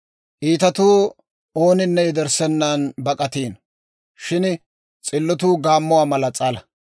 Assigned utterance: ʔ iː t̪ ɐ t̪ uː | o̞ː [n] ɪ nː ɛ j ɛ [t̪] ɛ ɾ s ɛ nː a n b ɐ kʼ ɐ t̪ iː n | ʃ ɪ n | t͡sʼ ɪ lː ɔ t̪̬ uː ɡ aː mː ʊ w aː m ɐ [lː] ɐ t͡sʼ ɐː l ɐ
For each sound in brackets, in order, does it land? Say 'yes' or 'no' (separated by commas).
yes, no, no